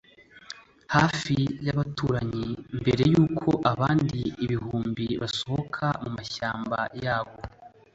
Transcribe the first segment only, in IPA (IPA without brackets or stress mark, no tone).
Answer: h